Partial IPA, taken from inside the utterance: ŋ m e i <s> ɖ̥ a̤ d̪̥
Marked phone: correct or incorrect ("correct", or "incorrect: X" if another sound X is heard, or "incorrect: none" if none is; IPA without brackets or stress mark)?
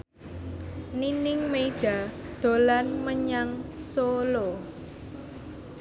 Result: incorrect: none